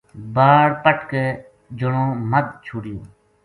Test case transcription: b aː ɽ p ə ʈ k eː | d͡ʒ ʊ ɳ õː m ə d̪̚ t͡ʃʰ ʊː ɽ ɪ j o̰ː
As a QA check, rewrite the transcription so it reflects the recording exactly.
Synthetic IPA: b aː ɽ p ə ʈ k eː | d͡ʒ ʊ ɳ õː m ə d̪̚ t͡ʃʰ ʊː ɽ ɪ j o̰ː